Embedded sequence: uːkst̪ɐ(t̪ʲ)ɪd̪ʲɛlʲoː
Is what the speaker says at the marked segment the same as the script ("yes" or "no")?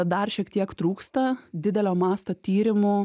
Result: no